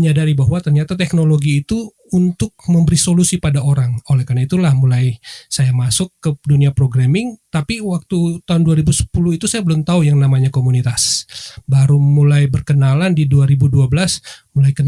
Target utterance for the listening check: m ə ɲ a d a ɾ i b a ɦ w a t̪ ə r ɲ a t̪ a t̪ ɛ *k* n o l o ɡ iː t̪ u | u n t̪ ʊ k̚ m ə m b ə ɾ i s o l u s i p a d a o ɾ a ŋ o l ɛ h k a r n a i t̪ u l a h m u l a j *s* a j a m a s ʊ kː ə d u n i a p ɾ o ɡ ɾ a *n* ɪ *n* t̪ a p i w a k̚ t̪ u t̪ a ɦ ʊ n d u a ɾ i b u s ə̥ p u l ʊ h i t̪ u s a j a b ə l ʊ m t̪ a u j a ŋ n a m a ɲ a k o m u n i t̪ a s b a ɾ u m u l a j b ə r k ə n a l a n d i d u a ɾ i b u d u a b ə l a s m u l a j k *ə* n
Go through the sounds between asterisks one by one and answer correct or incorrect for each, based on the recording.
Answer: correct, correct, incorrect: m, incorrect: ŋ, correct

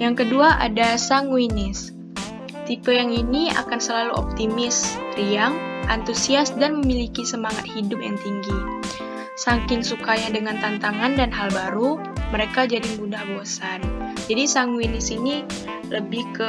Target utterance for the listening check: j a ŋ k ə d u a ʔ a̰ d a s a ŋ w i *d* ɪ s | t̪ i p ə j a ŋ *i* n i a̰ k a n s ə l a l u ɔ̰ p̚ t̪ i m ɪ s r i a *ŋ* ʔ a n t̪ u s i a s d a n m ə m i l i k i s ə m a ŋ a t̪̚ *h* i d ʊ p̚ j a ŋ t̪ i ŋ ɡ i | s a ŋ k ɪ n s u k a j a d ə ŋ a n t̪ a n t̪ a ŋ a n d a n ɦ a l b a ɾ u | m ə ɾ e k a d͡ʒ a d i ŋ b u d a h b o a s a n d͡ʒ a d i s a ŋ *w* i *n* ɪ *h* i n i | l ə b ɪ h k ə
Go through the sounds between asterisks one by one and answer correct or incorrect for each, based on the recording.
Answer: incorrect: n, correct, correct, correct, correct, correct, incorrect: s

